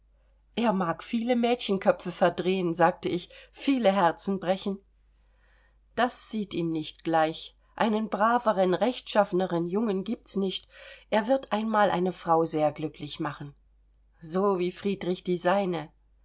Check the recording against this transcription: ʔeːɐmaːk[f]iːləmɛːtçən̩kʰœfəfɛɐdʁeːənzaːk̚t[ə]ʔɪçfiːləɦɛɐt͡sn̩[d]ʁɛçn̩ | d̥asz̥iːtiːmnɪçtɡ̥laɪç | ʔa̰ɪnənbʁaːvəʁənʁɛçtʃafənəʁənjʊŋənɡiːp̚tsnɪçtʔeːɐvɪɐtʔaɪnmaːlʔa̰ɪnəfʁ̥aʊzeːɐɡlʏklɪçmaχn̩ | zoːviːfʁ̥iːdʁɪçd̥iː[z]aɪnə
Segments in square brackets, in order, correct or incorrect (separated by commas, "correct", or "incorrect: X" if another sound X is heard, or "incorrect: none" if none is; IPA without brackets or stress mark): correct, correct, incorrect: b, correct